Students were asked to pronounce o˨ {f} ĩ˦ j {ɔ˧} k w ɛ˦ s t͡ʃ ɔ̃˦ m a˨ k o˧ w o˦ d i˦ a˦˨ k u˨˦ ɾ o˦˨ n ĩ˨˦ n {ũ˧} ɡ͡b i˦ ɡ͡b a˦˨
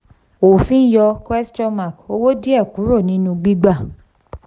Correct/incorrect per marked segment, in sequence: correct, correct, correct

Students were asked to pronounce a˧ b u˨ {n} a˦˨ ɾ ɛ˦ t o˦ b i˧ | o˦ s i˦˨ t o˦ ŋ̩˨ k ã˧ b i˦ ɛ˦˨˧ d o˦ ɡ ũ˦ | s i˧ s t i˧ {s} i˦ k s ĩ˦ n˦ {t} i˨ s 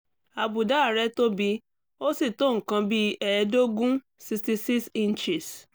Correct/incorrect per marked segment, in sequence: incorrect: d, correct, incorrect: t͡ʃ

